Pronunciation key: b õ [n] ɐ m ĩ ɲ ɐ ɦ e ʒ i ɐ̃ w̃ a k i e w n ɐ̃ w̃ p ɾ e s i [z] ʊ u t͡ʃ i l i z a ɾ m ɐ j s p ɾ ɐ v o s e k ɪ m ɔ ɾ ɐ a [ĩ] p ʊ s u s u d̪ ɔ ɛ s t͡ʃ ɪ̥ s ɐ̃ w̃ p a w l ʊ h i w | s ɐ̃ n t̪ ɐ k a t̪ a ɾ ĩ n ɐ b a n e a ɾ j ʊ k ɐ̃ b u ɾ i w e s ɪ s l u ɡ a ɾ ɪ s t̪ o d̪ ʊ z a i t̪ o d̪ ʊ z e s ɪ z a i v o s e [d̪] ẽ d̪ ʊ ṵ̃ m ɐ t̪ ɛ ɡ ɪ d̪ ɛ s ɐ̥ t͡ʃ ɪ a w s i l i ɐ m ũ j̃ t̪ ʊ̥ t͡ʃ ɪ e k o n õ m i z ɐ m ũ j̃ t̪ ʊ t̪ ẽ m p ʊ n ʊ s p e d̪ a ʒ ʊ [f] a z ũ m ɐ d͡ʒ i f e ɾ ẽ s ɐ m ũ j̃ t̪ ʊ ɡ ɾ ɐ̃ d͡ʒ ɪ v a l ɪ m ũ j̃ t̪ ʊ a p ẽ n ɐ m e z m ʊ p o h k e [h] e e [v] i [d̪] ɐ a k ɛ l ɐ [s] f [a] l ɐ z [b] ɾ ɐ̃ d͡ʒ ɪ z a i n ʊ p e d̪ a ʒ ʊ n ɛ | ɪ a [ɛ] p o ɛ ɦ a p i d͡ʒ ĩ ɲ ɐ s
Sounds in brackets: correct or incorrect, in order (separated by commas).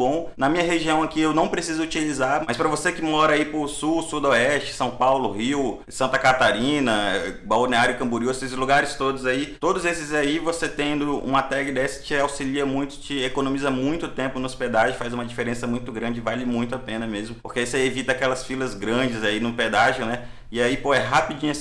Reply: correct, correct, incorrect, incorrect, correct, incorrect, correct, incorrect, correct, incorrect, incorrect, incorrect